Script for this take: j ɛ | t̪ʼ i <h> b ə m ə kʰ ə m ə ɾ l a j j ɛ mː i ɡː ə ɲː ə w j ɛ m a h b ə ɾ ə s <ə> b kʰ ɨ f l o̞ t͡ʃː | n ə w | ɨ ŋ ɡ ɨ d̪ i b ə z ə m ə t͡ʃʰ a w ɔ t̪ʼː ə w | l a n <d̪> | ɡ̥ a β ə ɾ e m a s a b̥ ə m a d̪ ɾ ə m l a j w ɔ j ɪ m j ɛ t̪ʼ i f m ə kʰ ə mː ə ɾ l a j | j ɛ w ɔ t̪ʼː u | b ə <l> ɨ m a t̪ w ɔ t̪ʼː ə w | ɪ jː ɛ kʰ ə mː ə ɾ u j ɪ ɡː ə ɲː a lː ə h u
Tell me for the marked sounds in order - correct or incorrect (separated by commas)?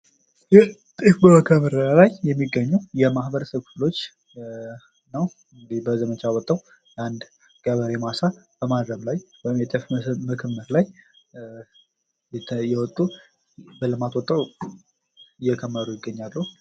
incorrect, correct, correct, correct